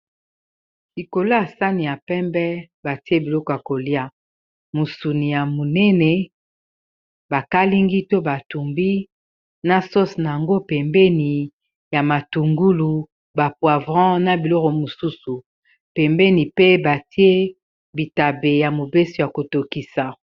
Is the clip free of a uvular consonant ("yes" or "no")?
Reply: no